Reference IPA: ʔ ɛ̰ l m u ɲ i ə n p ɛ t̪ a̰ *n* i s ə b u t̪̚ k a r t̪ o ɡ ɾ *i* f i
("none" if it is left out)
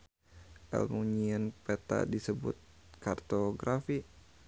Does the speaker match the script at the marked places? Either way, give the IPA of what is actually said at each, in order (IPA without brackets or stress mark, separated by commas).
d, a